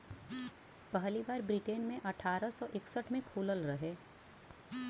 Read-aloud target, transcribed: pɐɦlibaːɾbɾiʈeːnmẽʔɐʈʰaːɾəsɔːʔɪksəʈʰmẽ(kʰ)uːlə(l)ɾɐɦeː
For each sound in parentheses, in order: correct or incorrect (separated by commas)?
correct, correct